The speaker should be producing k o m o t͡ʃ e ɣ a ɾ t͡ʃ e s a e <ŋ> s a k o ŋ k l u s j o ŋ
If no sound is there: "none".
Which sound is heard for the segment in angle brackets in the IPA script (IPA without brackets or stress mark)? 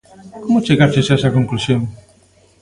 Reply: none